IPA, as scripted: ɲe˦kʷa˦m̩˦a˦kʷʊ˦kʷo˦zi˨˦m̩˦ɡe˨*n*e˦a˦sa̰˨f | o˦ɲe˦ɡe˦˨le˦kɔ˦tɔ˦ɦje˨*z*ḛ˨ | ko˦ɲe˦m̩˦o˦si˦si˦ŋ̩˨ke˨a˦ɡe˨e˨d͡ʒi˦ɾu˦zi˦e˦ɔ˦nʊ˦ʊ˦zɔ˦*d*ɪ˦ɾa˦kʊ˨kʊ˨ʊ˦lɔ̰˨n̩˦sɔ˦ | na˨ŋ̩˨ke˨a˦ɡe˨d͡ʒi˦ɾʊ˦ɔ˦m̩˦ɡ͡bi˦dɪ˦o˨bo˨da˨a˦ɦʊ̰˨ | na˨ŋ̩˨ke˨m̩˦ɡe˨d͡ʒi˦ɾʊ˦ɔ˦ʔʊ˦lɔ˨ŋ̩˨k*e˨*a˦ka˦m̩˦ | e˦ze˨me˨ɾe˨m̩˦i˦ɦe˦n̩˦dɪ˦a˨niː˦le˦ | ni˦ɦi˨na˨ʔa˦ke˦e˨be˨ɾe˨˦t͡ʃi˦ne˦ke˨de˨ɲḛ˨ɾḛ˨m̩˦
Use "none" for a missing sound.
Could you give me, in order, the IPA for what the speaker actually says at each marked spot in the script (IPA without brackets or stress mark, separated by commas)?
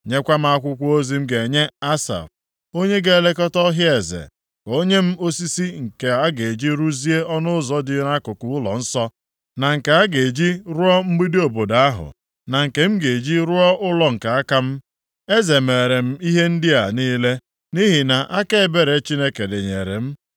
ɲ, z, d, a˨